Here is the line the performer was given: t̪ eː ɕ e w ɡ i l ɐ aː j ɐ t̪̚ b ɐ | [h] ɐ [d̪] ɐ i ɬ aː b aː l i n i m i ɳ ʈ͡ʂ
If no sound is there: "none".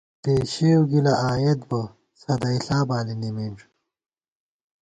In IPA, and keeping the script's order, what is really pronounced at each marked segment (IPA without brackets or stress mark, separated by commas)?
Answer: s, d̪